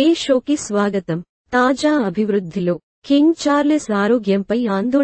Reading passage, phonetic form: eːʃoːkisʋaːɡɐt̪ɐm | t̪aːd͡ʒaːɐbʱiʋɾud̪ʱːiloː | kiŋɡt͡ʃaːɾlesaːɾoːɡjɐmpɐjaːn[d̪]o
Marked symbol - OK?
yes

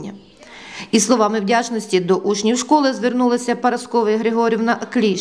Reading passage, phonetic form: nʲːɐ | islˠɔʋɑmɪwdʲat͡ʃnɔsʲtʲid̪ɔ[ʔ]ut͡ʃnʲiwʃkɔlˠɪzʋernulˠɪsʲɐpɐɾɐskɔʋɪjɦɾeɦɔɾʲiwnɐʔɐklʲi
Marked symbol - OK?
yes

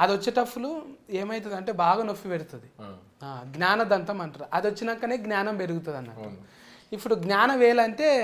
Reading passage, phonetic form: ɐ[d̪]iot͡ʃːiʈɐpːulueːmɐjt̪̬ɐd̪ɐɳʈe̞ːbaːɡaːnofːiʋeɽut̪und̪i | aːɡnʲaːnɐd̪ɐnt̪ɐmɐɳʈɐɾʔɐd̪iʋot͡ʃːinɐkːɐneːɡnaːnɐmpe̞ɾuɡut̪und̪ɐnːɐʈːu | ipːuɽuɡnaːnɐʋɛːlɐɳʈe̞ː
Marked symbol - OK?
yes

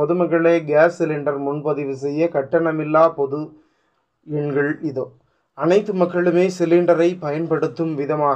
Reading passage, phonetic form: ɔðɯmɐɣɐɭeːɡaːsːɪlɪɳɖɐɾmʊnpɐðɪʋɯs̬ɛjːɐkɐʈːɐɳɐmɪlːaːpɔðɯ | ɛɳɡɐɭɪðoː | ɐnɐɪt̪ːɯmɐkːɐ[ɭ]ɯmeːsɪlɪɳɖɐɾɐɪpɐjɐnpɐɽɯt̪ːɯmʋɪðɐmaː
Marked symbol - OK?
yes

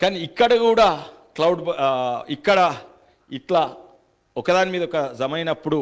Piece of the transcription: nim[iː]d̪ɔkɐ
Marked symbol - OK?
yes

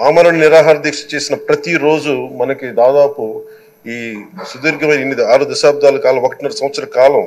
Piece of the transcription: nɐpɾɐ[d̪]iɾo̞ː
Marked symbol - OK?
no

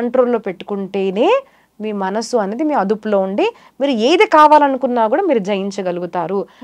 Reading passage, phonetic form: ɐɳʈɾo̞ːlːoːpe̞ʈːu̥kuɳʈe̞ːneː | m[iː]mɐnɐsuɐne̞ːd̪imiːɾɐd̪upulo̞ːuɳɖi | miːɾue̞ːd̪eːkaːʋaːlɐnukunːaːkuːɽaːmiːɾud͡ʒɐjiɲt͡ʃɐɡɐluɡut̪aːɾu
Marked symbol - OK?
yes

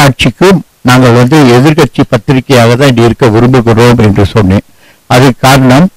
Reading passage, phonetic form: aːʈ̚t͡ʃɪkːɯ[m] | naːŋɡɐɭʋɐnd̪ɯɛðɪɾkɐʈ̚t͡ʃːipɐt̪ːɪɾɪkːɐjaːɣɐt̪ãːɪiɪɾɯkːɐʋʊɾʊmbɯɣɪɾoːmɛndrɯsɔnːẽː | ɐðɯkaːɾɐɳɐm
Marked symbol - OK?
yes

